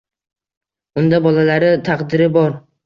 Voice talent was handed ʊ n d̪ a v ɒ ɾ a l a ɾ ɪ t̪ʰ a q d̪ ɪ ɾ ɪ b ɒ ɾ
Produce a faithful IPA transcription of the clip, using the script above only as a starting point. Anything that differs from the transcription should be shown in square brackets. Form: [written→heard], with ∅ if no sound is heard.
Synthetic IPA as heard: ʊ n d̪ a [v→b] ɒ [ɾ→l] a l a ɾ ɪ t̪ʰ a q d̪ ɪ ɾ ɪ b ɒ ɾ